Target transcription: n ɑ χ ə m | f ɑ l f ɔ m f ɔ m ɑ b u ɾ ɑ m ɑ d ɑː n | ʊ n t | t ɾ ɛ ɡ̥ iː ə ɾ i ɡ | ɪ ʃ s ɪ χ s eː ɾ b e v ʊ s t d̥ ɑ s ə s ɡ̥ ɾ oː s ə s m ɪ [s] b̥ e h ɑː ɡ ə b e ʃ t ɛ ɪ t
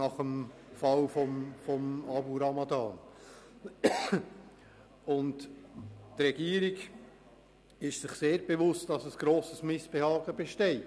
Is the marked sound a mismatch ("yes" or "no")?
no